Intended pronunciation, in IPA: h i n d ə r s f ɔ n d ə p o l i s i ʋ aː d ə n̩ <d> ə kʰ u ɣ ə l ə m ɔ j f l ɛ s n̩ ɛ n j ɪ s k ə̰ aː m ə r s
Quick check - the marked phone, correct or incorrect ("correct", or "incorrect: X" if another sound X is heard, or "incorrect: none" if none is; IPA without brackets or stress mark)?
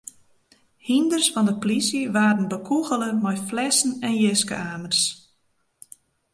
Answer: incorrect: b